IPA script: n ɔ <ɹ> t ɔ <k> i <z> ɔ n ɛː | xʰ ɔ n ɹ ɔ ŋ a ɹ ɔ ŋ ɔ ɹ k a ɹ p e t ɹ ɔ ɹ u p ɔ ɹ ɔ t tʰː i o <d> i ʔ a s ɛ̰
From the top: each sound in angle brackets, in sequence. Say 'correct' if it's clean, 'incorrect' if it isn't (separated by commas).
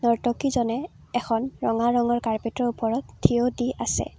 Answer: correct, correct, correct, correct